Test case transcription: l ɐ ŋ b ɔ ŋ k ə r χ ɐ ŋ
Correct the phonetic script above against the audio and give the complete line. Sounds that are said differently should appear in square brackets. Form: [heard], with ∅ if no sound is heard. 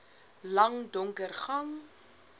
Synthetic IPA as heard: l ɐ ŋ [d] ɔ ŋ k ə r χ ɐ ŋ